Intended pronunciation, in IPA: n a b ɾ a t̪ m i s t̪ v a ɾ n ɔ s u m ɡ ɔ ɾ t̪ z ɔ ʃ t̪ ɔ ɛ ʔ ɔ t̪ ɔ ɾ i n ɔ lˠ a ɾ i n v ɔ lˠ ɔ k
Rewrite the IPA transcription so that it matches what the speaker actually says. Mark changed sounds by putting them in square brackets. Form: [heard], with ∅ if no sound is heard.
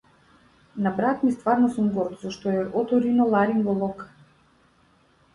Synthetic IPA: n a b ɾ a t̪ m i s t̪ v a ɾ n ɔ s u m ɡ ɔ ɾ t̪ z ɔ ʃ t̪ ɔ ɛ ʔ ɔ t̪ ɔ ɾ i n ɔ lˠ a ɾ i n v ɔ lˠ ɔ k